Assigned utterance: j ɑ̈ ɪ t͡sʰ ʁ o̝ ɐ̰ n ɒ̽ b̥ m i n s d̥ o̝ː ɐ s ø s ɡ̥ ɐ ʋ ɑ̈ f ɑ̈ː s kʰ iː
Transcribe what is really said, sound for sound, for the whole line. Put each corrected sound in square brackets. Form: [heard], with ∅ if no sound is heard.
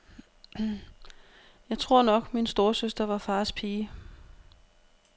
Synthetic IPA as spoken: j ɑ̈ ɪ t͡sʰ ʁ o̝ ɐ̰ n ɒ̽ [ɡ̥] m i n s d̥ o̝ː ɐ s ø s [d̥] ɐ ʋ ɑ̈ f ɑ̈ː s [pʰ] iː